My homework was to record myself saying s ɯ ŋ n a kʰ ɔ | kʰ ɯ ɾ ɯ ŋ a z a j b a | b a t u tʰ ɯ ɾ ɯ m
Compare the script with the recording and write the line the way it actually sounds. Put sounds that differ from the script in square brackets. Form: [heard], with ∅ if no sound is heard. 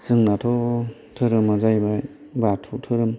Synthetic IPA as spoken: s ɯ ŋ n a [tʰ] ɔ | [tʰ] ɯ ɾ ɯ [m] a z a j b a | b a [tʰ] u tʰ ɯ ɾ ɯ m